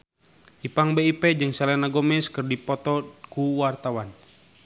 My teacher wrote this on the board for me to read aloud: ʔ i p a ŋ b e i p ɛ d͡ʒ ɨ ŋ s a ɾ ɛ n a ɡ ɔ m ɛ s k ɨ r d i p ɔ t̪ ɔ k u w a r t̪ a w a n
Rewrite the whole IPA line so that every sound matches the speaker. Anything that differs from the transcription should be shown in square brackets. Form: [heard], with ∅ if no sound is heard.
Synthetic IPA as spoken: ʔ i p a ŋ b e i p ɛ d͡ʒ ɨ ŋ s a [l] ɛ n a ɡ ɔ m ɛ s k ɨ r d i p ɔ t̪ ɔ k u w a r t̪ a w a n